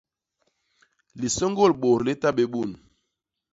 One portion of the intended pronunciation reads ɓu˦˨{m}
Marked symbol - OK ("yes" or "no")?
no